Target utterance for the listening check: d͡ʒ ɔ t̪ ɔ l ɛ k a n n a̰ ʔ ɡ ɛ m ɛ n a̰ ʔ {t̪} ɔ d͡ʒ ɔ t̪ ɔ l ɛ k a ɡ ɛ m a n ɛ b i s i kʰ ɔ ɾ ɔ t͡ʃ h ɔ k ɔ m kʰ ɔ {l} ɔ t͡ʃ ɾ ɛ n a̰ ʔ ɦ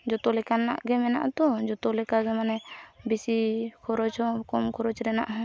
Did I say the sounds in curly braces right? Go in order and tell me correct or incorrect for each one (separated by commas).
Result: correct, incorrect